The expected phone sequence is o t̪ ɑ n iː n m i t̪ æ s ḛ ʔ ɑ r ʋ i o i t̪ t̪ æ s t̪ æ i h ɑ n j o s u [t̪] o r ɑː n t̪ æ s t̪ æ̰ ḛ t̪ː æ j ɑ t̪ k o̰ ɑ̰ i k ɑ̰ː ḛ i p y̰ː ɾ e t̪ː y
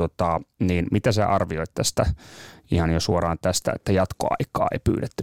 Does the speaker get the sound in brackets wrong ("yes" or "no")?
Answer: yes